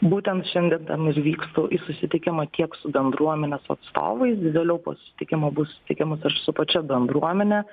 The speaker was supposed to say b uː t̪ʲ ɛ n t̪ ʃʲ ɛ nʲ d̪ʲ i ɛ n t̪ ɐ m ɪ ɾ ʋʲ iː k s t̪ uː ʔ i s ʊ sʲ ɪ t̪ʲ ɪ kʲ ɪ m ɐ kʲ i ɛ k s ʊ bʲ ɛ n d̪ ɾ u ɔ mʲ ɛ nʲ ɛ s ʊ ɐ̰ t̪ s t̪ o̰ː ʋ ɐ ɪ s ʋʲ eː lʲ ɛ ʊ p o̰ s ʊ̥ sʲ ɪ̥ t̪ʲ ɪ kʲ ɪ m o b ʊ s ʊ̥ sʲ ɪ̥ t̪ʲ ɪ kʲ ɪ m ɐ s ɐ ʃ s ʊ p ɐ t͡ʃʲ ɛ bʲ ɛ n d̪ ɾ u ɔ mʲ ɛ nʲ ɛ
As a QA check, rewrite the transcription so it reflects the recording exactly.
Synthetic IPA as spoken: b uː t̪ʲ ɛ n t̪ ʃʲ ɛ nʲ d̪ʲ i ɛ n t̪ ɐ m ɪ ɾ ʋʲ iː k s t̪ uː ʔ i s ʊ sʲ ɪ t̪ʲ ɪ kʲ ɪ m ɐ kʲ i ɛ k s ʊ bʲ ɛ n d̪ ɾ u ɔ mʲ ɛ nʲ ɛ s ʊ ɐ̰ t̪ s t̪ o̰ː ʋ ɐ ɪ s ʋʲ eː lʲ ɛ ʊ p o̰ s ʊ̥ sʲ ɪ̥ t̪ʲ ɪ kʲ ɪ m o b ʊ s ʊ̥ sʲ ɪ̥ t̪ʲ ɪ kʲ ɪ m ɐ s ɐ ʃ s ʊ p ɐ t͡ʃʲ ɛ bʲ ɛ n d̪ ɾ u ɔ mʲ ɛ nʲ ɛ